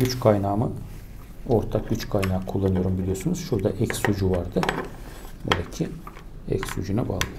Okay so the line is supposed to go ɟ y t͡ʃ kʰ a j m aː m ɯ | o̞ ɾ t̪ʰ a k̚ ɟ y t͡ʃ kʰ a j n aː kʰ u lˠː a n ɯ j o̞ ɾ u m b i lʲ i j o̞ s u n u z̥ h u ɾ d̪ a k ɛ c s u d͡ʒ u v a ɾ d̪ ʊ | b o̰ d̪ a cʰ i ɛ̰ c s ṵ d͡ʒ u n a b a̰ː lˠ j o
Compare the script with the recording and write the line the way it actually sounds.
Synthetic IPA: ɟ y t͡ʃ kʰ a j n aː m ɯ | o̞ ɾ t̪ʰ a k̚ ɟ y t͡ʃ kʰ a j n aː kʰ u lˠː a n ɯ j o̞ ɾ u m b i lʲ i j o̞ s u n u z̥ ʃ u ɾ d̪ a ʔ ɛ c s u d͡ʒ u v a ɾ d̪ ɯ | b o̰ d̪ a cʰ i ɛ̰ c s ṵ d͡ʒ u n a b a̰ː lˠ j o